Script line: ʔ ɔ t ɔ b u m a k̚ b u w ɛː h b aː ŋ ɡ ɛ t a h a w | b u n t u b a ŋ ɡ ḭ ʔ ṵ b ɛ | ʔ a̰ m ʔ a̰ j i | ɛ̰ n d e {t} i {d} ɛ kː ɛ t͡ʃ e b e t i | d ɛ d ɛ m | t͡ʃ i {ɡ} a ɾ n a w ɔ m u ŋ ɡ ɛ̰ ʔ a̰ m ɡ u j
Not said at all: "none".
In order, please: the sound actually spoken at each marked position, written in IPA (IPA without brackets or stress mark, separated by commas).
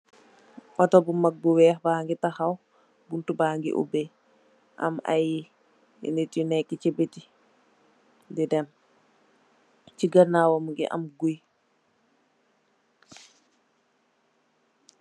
t, n, ɡ